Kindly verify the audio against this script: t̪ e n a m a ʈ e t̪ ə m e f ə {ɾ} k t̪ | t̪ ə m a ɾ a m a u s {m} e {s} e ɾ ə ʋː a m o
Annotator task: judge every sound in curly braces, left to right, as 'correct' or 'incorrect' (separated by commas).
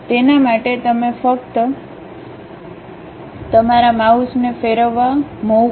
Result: incorrect, incorrect, incorrect